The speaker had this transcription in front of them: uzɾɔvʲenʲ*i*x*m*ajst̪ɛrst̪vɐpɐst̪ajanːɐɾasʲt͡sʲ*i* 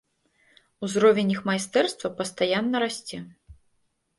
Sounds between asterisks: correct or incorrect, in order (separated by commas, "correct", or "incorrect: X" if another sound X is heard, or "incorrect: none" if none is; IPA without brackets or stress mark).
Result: correct, correct, incorrect: ɛ